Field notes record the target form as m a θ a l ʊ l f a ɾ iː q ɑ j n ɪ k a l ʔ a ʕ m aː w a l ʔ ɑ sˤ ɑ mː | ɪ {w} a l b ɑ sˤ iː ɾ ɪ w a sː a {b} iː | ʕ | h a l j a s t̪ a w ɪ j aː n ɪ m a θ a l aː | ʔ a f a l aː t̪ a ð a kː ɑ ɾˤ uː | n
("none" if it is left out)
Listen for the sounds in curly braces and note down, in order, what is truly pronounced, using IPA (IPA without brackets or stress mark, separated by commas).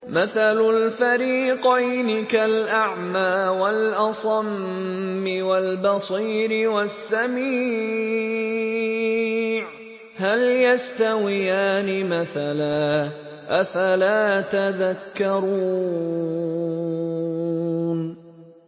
w, m